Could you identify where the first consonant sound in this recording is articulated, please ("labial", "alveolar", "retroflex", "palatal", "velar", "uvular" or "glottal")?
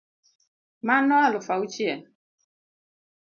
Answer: labial